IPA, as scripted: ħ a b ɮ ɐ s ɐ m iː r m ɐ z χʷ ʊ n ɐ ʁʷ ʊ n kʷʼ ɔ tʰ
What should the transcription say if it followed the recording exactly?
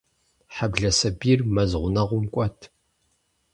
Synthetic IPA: ħ a b ɮ ɐ s ɐ b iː r m ɐ z ʁʷ ʊ n ɐ ʁʷ ʊ m kʷʼ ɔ tʰ